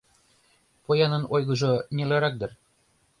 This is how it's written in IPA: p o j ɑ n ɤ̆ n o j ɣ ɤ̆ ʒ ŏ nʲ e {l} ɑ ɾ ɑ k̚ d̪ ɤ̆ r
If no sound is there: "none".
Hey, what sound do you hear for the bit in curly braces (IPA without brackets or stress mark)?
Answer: l